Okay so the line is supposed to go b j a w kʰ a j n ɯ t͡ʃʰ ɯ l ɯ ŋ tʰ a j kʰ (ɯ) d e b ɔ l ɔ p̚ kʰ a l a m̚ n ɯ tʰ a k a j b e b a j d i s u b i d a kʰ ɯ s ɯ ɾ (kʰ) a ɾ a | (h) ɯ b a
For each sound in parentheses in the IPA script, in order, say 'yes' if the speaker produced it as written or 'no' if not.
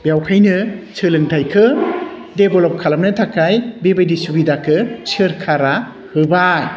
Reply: yes, yes, yes

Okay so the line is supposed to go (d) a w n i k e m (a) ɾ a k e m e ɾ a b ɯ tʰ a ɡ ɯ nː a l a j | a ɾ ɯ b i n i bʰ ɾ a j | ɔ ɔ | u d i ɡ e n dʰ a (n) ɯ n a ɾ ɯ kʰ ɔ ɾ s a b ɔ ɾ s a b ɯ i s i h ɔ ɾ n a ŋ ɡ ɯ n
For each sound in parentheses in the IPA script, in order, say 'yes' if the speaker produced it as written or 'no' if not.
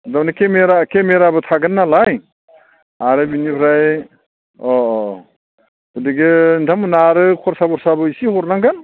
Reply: yes, no, no

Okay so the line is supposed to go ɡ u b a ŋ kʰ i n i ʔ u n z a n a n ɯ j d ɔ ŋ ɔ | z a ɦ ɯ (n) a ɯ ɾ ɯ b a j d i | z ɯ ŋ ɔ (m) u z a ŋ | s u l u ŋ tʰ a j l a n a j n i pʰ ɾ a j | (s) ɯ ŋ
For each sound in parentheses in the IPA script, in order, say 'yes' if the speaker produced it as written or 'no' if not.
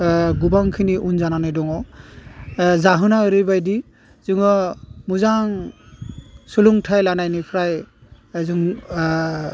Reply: yes, yes, no

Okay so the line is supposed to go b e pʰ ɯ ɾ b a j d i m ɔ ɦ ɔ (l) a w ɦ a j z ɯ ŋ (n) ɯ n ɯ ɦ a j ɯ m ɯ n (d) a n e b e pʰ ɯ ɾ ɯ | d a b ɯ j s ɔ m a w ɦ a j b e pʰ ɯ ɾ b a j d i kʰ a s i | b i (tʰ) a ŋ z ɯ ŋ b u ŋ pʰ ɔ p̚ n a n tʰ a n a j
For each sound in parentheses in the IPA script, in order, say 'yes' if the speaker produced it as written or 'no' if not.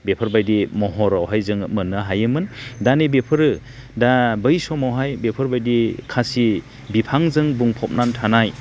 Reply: no, no, yes, no

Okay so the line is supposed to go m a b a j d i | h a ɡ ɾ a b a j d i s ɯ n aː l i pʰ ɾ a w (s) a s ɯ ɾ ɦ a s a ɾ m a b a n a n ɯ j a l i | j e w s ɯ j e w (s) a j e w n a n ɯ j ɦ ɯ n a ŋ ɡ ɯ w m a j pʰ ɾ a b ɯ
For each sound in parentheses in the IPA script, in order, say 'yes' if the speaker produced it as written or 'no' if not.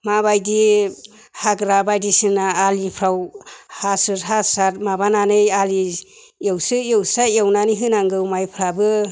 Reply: no, yes

